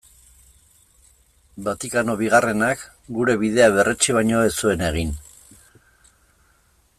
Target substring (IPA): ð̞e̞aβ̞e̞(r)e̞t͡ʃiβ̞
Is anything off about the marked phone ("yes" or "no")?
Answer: no